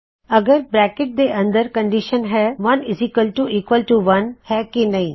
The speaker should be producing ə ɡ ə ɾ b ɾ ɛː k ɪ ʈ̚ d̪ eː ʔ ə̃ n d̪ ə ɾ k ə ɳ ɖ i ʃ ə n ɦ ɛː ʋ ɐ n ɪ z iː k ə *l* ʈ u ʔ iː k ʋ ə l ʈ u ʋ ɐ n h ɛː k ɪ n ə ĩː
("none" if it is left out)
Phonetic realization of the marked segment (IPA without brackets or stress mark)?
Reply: l